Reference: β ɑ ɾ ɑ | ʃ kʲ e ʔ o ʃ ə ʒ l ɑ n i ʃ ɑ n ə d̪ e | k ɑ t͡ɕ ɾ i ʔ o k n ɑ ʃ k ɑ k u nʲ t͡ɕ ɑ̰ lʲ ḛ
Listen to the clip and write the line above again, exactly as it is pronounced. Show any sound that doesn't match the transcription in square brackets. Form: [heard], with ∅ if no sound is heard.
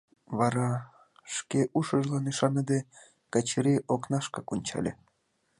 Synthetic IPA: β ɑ ɾ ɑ | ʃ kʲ e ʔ [u] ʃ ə ʒ l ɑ n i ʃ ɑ n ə d̪ e | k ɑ t͡ɕ ɾ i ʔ o k n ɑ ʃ k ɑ k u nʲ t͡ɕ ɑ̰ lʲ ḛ